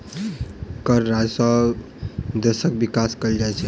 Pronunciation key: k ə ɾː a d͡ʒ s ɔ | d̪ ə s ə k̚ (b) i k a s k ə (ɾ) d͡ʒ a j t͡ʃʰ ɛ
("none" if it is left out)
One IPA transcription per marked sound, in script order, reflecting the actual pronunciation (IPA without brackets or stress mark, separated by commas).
b, l